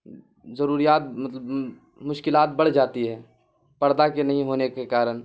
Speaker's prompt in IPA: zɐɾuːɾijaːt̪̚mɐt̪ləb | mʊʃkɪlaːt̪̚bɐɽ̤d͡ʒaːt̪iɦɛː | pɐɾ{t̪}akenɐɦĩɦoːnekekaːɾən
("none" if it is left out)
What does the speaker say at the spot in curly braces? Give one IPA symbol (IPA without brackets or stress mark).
d̪